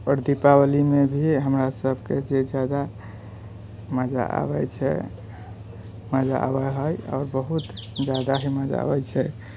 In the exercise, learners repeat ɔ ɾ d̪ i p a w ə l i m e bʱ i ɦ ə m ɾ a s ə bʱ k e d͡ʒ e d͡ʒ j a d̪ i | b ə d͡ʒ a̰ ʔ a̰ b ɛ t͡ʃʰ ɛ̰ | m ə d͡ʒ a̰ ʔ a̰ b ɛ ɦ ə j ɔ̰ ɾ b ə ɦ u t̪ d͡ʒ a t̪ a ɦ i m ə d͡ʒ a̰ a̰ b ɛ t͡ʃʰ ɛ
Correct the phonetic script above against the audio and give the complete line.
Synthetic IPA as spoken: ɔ ɾ d̪ i p a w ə l i m e bʱ i ɦ ə m ɾ a s ə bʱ k e d͡ʒ e d͡ʒ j a d̪ a | m ə d͡ʒ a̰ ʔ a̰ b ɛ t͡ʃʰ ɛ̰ | m ə d͡ʒ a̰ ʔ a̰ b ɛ ɦ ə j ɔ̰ ɾ b ə ɦ u t̪ d͡ʒ a d̪ a ɦ i m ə d͡ʒ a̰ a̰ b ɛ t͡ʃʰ ɛ